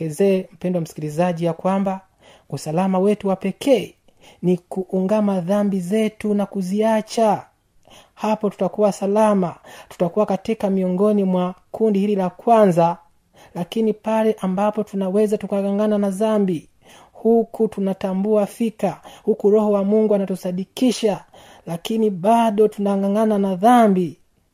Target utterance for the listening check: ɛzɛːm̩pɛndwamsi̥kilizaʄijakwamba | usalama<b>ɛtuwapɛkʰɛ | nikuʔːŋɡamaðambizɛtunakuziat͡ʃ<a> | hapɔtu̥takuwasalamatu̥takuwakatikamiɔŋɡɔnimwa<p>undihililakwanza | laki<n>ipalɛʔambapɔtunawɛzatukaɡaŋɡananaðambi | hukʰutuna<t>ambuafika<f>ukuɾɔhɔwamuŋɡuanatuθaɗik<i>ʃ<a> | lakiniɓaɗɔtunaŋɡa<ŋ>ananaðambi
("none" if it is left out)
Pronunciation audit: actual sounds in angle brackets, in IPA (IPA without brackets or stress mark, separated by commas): w, a, k, n, t, h, i, a, ŋ